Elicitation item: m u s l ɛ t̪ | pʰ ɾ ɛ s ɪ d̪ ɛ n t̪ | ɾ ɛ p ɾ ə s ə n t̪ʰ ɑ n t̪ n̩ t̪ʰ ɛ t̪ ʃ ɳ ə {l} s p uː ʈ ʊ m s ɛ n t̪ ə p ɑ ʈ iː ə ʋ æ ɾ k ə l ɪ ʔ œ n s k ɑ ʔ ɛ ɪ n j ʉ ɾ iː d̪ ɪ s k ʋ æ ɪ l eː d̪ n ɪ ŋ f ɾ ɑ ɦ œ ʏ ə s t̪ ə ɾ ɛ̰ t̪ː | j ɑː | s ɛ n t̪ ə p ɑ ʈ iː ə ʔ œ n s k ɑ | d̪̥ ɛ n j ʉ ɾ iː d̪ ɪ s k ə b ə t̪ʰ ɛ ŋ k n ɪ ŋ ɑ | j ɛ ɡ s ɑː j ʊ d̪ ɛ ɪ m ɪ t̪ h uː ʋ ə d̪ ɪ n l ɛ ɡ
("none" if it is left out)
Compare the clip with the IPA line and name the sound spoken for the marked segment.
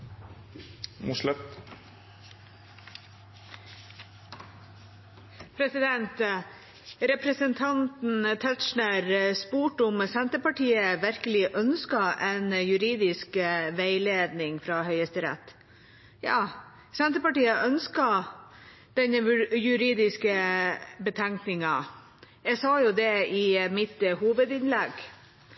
ɾ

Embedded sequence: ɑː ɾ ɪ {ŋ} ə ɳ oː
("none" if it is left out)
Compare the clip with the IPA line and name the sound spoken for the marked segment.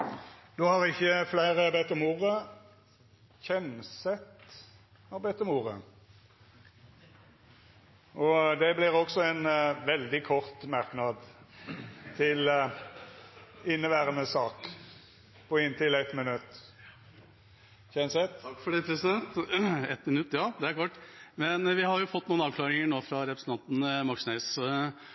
ŋ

